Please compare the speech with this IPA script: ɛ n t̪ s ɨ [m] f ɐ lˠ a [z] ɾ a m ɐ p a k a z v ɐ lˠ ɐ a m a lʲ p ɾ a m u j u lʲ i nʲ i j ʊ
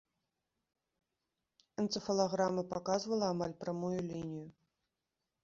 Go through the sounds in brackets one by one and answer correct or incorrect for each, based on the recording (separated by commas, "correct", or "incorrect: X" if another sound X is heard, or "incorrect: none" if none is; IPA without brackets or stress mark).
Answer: incorrect: none, incorrect: ɣ